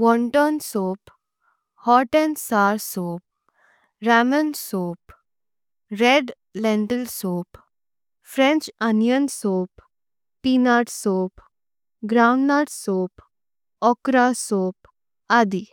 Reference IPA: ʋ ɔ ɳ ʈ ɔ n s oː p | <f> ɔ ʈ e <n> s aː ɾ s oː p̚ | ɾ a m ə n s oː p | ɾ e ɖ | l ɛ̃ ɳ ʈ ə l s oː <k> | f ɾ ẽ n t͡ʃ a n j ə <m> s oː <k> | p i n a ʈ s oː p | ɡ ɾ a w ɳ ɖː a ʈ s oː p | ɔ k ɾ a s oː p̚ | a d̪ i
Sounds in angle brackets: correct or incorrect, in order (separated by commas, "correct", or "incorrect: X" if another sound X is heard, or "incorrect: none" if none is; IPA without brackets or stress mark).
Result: incorrect: h, correct, incorrect: p, incorrect: n, incorrect: p